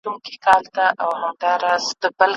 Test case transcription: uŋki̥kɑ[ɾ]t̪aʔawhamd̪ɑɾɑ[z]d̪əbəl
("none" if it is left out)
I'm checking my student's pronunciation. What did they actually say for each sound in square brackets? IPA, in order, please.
l, z

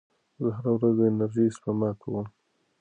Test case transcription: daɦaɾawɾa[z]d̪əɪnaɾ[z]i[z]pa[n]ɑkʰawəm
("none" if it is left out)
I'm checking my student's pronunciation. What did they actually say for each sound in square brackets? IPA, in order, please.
z, ʒ, s, m

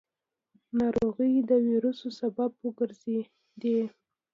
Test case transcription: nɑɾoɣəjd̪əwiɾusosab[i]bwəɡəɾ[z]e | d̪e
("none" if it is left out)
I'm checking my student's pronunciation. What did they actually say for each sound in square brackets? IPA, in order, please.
a, z

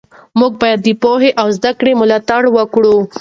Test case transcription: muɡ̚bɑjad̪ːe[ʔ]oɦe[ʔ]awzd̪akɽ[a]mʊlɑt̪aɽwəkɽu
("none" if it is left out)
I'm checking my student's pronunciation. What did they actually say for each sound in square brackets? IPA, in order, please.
p, ʔ, e

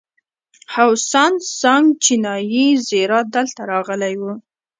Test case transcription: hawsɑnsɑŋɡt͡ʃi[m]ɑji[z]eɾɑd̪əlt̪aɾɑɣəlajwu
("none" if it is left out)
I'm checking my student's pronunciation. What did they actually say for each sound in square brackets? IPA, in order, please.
n, z

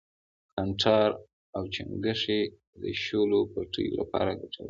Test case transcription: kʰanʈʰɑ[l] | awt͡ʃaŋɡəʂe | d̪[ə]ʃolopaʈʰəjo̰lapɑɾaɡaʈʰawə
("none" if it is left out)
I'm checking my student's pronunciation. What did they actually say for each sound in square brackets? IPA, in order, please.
ɾ, ə

